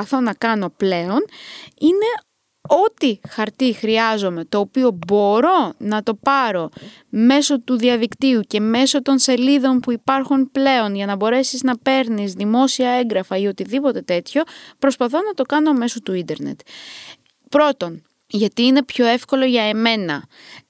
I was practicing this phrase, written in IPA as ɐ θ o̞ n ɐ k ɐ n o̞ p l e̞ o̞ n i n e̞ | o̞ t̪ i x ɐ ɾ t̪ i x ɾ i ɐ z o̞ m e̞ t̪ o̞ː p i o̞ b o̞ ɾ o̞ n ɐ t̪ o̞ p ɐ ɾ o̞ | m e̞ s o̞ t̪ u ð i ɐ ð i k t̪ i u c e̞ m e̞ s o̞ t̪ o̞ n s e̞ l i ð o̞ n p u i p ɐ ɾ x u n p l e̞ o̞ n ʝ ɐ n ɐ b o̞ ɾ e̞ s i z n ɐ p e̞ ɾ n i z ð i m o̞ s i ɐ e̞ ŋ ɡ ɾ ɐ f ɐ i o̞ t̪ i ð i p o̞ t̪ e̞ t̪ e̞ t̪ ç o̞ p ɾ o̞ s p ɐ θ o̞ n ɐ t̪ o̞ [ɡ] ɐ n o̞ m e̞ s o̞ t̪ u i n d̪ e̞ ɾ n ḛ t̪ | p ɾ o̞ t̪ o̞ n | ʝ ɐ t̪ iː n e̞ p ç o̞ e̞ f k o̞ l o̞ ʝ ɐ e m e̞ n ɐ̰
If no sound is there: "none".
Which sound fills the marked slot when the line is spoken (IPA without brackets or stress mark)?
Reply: k